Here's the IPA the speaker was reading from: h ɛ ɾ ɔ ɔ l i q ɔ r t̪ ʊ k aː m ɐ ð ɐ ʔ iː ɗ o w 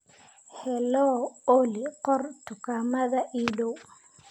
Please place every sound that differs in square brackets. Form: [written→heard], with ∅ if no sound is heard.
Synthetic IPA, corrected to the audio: h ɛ [ɾ→l] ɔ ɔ l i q ɔ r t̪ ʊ k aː m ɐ ð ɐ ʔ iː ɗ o w